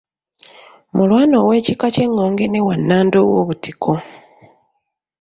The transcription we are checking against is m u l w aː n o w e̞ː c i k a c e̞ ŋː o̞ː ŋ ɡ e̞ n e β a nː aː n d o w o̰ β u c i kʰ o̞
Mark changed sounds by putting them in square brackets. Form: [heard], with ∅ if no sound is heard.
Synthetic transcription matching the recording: m u l w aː n o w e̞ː c i k a c e̞ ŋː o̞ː ŋ ɡ e̞ n e [w] a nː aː n d o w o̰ β u [t] i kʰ o̞